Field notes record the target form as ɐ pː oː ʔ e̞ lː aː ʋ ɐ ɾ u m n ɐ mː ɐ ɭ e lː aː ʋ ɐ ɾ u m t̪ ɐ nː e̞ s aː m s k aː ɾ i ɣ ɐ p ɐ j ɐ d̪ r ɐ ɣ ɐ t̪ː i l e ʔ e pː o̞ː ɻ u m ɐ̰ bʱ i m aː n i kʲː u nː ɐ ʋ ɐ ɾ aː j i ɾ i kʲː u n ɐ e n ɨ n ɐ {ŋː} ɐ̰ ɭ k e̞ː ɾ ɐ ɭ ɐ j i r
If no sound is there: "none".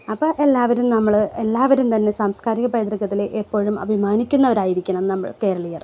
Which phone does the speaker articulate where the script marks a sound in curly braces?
mː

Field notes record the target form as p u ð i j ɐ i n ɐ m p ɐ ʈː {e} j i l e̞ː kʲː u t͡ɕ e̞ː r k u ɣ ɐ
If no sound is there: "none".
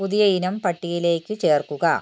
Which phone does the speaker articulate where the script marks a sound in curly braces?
i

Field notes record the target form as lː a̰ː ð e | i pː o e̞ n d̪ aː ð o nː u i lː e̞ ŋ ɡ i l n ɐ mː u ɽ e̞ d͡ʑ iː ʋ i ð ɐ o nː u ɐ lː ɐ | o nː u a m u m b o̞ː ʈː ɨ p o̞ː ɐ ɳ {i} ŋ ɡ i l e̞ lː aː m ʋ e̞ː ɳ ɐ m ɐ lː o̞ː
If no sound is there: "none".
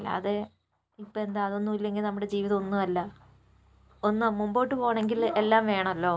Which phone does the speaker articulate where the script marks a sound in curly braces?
e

